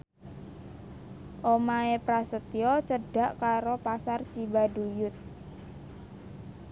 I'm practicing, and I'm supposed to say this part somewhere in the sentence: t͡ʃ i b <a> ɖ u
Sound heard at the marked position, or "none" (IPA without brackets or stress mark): a